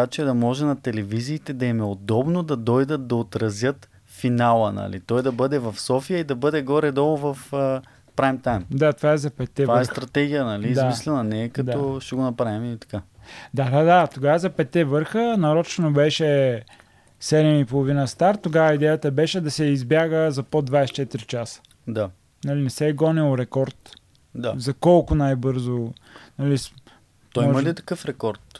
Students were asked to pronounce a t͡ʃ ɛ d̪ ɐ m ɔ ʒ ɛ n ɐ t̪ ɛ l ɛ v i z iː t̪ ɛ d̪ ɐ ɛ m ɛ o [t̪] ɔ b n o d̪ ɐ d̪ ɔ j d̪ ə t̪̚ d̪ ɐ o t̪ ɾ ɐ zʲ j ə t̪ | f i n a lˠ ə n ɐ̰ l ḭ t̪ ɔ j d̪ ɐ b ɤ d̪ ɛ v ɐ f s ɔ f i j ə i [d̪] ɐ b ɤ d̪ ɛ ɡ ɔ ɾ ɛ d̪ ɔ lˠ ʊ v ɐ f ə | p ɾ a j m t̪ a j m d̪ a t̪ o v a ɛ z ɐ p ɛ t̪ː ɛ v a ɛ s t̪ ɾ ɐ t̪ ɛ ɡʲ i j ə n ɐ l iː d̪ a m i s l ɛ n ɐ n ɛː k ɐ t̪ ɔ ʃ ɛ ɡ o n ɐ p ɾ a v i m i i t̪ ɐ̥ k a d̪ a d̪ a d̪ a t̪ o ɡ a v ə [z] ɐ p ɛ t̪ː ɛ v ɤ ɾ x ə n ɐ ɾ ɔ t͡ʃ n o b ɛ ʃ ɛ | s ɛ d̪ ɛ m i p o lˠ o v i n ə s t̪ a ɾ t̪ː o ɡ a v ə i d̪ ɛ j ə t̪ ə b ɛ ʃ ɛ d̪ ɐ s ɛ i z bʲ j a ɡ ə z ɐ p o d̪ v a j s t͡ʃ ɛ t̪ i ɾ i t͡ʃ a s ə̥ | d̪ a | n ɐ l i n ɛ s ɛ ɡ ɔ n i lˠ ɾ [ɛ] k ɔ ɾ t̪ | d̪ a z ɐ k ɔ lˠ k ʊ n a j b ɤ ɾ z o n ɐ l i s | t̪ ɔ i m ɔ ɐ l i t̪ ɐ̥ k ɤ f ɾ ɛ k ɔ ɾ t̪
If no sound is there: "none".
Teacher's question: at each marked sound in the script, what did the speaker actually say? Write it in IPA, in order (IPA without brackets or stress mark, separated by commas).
d̪, d̪, z, ɛ